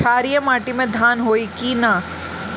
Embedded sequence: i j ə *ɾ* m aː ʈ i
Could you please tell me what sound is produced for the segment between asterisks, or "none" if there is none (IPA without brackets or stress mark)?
none